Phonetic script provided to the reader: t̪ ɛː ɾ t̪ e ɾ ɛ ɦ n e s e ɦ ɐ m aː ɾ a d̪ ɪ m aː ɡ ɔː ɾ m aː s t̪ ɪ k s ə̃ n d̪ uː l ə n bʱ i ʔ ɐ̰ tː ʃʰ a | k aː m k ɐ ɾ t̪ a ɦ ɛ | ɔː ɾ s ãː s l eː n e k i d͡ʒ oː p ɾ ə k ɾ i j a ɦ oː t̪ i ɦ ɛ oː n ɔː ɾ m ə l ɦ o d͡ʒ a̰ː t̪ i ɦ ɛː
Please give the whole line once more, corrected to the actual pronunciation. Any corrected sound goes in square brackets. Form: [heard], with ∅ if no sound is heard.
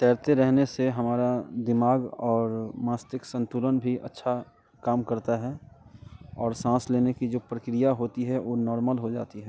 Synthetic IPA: t̪ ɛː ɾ t̪ e ɾ ɛ ɦ n e s e ɦ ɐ m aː ɾ a d̪ ɪ m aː ɡ ɔː ɾ m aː s t̪ ɪ k s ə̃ n [t̪] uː l ə n bʱ i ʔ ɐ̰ tː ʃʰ a | k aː m k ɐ ɾ t̪ a ɦ ɛ | ɔː ɾ s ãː s l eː n e k i d͡ʒ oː p ɾ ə k ɾ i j a ɦ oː t̪ i ɦ ɛ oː n ɔː ɾ m ə l ɦ o d͡ʒ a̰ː t̪ i ɦ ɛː